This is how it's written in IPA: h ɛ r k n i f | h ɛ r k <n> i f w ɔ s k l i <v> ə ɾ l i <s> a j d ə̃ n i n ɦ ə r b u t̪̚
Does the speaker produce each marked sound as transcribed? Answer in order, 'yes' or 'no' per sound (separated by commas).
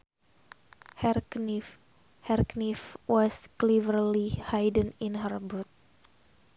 yes, yes, no